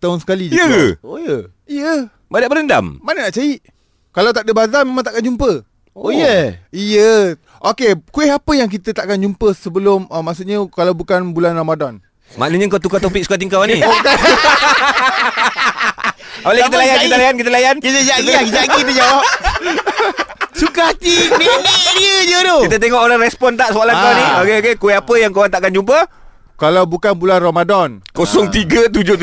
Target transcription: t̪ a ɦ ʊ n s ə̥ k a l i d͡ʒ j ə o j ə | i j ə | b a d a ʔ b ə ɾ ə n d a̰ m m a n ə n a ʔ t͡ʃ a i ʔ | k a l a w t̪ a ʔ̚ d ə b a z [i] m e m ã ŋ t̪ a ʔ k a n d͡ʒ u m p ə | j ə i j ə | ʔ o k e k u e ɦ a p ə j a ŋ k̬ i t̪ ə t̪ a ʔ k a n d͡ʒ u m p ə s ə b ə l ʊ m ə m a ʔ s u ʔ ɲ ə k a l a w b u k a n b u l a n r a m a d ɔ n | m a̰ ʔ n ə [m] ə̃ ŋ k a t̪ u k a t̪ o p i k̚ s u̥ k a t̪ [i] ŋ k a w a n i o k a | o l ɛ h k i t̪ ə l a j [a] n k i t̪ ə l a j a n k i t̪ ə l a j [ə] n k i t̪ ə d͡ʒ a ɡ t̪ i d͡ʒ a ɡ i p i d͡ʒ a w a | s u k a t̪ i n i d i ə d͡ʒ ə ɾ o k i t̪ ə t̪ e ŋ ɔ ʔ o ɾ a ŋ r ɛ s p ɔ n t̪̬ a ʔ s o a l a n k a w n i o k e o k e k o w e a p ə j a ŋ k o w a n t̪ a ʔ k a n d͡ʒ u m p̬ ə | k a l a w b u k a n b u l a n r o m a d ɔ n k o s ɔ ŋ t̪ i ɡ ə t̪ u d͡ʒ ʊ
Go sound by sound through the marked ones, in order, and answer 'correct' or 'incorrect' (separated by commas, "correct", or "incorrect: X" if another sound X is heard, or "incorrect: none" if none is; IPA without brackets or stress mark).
incorrect: a, incorrect: ɲ, correct, correct, incorrect: a